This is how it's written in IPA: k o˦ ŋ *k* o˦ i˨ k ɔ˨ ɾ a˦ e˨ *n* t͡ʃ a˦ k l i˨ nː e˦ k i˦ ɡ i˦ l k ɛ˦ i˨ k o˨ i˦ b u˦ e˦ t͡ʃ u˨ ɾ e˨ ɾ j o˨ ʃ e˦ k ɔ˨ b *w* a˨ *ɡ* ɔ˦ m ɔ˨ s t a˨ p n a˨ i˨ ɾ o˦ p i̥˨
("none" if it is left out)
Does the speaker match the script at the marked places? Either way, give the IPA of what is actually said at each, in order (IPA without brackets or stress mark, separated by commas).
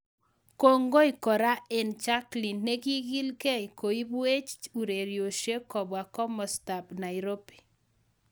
ɡ, n, w, k